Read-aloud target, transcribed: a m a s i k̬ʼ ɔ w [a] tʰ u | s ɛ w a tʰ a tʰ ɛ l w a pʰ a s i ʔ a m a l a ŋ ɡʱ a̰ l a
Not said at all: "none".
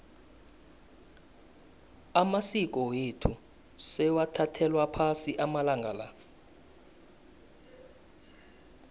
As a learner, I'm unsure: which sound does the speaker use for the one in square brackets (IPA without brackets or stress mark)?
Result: e